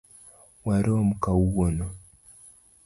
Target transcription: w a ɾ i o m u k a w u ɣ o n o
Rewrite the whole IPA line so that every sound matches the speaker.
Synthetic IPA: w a ɾ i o m u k a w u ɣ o n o